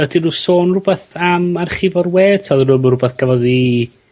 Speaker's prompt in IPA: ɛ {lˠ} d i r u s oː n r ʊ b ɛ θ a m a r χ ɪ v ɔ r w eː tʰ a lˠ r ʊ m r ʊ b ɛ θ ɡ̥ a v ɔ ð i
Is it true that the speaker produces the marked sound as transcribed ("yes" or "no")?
no